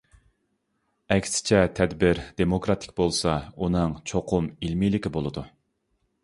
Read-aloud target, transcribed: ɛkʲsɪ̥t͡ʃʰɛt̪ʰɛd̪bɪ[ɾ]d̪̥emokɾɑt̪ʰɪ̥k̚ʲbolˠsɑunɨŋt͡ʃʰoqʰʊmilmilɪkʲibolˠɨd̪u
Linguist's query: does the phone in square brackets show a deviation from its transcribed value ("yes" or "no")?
no